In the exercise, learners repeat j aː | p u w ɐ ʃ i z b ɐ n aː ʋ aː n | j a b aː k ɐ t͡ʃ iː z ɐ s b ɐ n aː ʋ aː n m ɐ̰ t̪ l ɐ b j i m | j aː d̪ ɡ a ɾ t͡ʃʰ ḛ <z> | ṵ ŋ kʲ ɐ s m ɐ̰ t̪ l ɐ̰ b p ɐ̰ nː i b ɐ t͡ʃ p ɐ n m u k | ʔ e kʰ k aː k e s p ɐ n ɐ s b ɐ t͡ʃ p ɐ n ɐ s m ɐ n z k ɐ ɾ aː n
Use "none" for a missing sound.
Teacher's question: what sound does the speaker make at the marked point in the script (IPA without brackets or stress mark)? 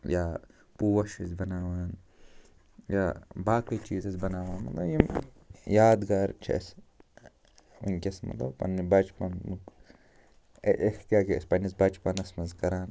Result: s